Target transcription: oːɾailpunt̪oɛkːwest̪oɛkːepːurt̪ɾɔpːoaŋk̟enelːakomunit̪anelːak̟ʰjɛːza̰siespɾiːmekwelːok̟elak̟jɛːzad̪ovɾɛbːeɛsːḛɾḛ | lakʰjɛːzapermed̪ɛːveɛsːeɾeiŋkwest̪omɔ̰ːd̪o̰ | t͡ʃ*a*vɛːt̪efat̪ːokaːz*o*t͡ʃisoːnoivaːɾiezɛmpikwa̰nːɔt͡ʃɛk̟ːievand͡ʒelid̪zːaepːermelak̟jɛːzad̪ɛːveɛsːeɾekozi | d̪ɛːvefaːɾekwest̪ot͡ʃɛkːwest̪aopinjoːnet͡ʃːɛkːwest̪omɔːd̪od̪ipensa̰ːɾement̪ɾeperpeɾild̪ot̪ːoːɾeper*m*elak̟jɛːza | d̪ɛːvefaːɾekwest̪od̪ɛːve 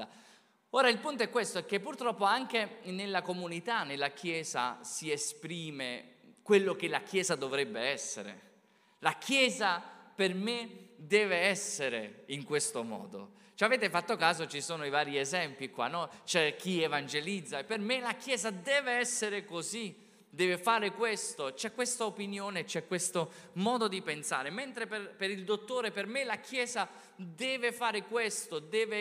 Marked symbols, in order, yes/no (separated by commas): yes, yes, yes